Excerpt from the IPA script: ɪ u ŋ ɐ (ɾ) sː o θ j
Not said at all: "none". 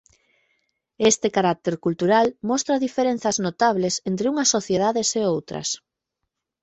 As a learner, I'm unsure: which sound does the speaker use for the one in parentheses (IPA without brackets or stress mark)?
none